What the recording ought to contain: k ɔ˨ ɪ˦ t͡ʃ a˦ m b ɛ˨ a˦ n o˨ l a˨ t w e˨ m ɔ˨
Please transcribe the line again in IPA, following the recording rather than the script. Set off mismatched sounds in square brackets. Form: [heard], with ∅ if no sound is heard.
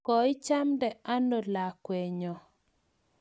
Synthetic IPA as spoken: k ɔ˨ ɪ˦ t͡ʃ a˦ m [d] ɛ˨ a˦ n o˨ l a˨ [k] w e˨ [ɲ] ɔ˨